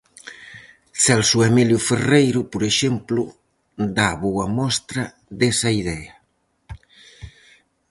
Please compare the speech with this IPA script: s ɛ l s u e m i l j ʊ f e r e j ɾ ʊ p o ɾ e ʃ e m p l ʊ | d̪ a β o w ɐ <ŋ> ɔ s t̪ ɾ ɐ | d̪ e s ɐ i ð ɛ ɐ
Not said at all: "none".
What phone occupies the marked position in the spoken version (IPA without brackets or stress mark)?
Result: m